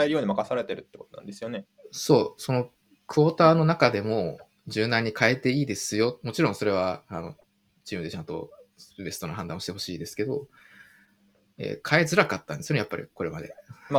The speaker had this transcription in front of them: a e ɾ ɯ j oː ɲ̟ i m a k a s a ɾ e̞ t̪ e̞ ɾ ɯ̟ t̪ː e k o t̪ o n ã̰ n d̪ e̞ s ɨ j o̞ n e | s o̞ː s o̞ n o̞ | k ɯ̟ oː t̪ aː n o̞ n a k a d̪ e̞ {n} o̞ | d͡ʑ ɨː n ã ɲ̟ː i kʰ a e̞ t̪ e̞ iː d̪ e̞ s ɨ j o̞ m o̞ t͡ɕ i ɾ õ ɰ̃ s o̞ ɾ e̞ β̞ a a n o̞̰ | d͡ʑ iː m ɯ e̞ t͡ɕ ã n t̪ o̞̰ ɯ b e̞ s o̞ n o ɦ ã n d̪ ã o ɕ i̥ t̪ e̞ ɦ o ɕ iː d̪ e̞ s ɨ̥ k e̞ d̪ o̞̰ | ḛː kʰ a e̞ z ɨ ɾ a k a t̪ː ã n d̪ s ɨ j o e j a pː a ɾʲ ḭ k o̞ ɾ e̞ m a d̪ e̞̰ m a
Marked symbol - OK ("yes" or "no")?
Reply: no